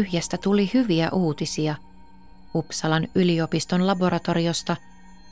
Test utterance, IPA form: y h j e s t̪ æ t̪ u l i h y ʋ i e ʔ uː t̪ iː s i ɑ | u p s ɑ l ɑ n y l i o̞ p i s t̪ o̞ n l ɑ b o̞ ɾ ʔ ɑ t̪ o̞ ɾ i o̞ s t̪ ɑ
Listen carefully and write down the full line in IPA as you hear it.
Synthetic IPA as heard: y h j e s t̪ æ t̪ u l i h y ʋ i æ ʔ uː t̪ i s i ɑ | u p s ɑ l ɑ n y l i o̞ p i s t̪ o̞ n l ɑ b o̞ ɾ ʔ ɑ t̪ o̞ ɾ i o̞ s t̪ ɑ